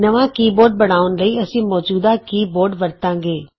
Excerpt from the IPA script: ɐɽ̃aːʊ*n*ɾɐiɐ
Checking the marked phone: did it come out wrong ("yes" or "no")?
no